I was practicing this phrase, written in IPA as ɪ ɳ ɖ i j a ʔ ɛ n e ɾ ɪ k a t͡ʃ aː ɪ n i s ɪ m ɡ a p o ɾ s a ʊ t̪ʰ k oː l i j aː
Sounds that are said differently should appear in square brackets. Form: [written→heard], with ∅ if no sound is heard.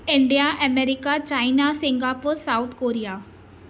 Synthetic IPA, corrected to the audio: ɪ ɳ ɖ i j a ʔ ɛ [n→m] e ɾ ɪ k a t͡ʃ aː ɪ n [i→a] s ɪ [m→ŋ] ɡ a p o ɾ s a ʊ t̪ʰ k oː [l→ɾ] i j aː